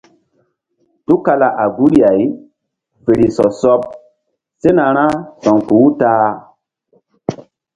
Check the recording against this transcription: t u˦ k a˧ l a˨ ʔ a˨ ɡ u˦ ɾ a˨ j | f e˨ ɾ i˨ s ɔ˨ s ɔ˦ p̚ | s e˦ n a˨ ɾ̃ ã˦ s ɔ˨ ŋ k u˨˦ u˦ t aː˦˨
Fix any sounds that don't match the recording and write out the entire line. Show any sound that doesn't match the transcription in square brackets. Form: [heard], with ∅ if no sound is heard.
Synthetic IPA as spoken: t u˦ k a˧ l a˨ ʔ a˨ ɡ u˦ ɾ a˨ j | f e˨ ɾ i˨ s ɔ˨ s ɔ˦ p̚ | s e˦ n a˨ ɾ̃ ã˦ s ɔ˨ ŋ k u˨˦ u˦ t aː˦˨